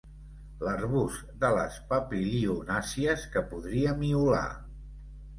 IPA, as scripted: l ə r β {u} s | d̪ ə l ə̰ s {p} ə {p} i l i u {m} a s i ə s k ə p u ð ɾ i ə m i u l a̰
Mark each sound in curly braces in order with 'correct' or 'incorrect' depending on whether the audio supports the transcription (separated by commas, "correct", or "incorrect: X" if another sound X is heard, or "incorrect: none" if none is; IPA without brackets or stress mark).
correct, correct, correct, incorrect: n